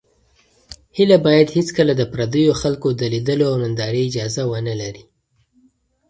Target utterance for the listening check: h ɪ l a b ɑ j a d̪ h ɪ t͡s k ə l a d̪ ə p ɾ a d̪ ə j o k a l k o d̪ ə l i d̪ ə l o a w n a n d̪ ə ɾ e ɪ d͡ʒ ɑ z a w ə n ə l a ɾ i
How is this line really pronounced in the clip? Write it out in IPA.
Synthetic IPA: h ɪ l a b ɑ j a d̪ h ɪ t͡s k ə l a d̪ ə p ɾ a d̪ ə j o x a l k o d̪ ə l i d̪ ə l o a w n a n d̪ ɑ ɾ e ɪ d͡ʒ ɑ z a w ə n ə l a ɾ i